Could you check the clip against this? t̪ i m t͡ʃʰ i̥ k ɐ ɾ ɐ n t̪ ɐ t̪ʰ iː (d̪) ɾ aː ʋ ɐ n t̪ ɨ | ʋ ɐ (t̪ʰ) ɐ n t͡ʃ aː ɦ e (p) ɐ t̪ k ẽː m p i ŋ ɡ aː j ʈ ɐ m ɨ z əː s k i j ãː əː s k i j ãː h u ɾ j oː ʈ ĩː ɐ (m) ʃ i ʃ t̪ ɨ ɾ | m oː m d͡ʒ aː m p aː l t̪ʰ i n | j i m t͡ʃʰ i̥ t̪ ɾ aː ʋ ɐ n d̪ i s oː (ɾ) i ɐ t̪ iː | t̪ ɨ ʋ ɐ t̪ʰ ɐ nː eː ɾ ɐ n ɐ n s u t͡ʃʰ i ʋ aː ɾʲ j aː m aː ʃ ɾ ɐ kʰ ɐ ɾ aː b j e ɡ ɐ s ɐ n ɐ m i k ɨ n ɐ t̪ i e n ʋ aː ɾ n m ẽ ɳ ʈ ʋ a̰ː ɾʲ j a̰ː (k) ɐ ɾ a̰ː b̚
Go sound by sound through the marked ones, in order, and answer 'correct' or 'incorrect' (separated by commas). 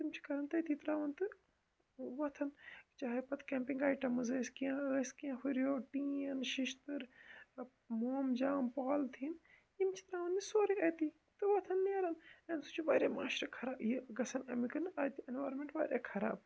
incorrect, correct, correct, incorrect, correct, incorrect